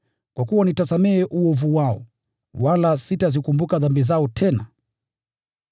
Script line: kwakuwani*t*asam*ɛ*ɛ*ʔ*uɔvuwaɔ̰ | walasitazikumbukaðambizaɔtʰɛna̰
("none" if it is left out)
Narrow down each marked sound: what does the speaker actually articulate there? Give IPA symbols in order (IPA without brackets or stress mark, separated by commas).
t, ɛ, ʔ